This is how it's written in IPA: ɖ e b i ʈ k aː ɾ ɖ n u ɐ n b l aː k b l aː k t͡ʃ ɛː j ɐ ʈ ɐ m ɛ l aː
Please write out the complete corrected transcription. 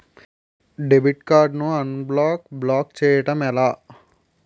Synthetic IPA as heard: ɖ e b i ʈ k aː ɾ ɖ n u ɐ n b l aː k b l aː k t͡ʃ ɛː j ɐ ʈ ɐ m ɛ l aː